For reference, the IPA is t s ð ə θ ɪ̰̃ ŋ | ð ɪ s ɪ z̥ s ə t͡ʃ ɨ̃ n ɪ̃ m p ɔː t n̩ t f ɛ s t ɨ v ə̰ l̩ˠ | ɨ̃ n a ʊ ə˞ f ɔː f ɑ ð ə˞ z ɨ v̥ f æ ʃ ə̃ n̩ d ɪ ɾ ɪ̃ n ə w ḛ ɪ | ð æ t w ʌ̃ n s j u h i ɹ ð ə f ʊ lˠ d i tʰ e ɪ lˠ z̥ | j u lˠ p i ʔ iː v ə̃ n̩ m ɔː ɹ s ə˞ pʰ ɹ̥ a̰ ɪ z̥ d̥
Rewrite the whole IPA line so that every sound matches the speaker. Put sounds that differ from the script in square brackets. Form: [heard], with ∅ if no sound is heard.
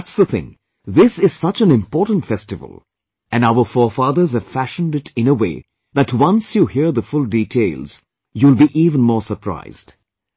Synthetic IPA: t s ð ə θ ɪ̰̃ ŋ | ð ɪ s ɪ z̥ s [ʌ] t͡ʃ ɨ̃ n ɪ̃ m p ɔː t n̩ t f ɛ s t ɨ v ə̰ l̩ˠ | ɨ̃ n a ʊ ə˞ f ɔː f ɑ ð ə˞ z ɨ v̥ f æ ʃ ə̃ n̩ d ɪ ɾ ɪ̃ n ə w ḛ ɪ | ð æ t w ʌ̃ n s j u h i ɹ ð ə f ʊ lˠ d i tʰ e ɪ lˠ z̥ | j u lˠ [b] i ʔ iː v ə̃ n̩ m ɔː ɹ s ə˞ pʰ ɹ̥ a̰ ɪ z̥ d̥